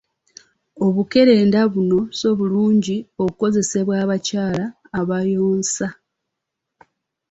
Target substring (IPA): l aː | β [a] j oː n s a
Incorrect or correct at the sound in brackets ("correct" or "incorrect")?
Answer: correct